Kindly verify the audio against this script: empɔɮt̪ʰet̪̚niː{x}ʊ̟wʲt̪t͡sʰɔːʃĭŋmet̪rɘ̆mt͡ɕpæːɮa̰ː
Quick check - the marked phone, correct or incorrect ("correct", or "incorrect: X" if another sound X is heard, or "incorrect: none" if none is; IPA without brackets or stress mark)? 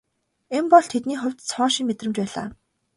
incorrect: χ